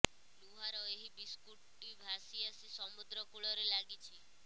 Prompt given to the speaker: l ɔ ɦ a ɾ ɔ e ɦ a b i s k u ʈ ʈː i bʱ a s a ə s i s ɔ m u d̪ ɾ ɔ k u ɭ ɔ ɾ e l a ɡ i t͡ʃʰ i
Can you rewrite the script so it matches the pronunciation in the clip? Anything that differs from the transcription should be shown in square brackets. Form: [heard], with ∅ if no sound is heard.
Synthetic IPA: l [u] ɦ a ɾ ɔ e ɦ [i] b i s k u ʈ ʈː i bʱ a s [i] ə s i s ɔ m u d̪ ɾ ɔ k u ɭ ɔ ɾ e l a ɡ i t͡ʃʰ i